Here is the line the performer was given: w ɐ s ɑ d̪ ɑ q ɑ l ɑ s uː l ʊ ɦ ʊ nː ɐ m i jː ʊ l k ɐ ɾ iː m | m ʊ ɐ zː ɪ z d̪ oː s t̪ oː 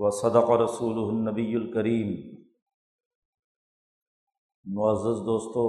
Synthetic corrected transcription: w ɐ s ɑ d̪ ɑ q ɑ ɾ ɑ s uː l ʊ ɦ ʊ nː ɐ b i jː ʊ l k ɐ ɾ iː m | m ʊ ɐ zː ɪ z d̪ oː s t̪ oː